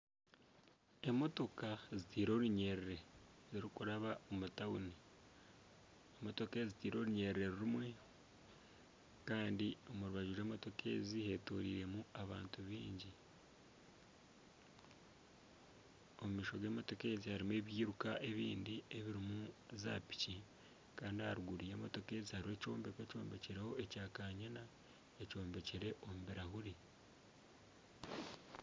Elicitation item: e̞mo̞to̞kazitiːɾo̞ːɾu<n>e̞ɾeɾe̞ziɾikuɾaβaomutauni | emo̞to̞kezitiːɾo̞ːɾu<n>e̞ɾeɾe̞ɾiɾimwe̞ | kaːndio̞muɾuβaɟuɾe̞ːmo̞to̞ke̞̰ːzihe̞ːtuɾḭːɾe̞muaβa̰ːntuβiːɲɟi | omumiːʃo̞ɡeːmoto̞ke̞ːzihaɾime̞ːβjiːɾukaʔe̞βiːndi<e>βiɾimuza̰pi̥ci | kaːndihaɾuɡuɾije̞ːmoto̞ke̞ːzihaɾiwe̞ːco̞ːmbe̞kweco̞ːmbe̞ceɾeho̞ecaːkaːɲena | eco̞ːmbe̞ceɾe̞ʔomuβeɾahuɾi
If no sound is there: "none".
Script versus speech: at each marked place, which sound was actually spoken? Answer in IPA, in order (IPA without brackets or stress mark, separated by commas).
ɲ, ɲ, e